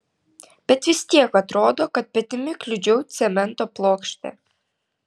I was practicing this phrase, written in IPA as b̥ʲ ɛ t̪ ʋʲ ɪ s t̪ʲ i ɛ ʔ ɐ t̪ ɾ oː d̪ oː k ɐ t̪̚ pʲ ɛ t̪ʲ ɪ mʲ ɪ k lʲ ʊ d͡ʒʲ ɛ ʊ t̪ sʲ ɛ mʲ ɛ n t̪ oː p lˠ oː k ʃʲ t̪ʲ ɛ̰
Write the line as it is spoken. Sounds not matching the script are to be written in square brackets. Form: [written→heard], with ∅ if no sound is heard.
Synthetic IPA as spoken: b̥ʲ ɛ t̪ ʋʲ ɪ s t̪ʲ i ɛ [ʔ→k] ɐ t̪ ɾ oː d̪ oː k ɐ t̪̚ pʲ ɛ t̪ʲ ɪ mʲ ɪ k lʲ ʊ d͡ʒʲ ɛ ʊ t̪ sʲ ɛ mʲ ɛ n t̪ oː p lˠ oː k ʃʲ t̪ʲ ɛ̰